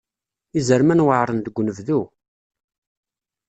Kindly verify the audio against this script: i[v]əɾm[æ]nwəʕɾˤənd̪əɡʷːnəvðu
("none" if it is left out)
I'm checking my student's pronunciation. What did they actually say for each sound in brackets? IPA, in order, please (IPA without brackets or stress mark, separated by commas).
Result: z, æ